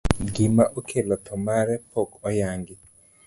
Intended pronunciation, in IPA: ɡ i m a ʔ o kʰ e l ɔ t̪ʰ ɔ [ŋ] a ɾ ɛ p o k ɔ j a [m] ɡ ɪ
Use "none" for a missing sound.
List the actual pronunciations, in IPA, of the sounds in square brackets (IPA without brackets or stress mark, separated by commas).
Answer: m, ŋ